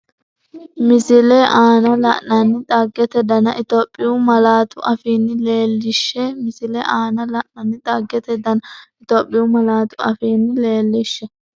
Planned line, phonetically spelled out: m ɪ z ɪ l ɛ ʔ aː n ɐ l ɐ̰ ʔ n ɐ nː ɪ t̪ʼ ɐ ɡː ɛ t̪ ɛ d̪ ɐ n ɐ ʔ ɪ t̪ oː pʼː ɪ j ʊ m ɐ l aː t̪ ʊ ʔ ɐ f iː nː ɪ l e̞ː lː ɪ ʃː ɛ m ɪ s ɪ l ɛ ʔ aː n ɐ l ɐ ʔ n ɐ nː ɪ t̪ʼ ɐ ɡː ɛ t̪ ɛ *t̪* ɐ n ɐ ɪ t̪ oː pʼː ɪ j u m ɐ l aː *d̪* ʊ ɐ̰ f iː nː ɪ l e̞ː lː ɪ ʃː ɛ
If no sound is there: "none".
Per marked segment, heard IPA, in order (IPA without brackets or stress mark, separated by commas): d̪, t̪